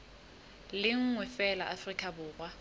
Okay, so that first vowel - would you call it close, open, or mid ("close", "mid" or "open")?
close